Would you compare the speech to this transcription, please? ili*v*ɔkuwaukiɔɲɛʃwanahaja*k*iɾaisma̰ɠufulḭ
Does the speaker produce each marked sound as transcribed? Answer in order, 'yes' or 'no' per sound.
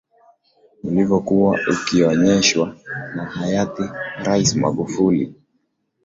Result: yes, no

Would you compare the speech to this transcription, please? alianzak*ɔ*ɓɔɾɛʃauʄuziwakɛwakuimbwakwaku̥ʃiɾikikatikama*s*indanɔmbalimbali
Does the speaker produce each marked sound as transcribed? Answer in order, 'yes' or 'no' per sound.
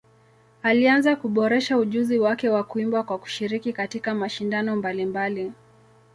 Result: no, no

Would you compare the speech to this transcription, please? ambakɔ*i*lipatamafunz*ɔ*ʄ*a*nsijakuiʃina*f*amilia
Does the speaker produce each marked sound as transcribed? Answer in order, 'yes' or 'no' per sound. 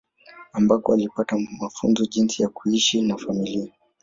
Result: no, yes, no, yes

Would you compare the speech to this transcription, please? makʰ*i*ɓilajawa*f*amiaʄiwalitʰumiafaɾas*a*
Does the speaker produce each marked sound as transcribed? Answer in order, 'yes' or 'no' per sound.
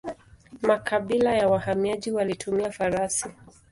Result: no, no, no

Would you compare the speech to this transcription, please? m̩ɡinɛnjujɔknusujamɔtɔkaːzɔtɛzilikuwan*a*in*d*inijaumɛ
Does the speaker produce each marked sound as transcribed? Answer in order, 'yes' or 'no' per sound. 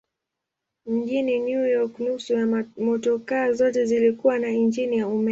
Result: yes, no

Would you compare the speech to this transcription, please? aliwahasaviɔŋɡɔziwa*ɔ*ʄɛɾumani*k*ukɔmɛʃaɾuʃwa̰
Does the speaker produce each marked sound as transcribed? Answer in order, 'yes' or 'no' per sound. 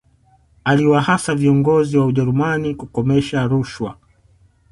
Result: no, yes

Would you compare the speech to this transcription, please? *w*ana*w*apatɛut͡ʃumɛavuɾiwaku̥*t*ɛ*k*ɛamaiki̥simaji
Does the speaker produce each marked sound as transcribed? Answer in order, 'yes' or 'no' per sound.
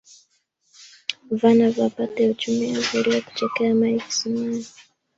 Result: no, no, no, yes

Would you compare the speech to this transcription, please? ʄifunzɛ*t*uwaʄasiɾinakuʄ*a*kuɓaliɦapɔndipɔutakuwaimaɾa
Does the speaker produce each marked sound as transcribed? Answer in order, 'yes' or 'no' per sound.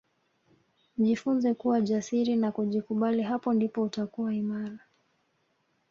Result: no, no

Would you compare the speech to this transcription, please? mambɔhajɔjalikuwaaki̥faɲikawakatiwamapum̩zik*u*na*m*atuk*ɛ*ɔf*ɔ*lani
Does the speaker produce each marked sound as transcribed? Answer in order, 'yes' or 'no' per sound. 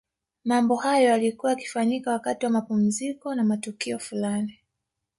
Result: no, yes, no, no

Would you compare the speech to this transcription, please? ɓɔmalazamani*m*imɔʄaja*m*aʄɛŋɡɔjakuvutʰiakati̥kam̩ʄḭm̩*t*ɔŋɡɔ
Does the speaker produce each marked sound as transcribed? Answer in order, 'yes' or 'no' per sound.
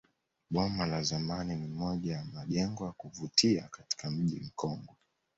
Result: no, yes, no

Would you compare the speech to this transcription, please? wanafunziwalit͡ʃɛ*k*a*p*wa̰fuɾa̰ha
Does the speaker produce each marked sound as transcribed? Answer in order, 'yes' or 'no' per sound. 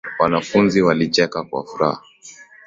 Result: yes, no

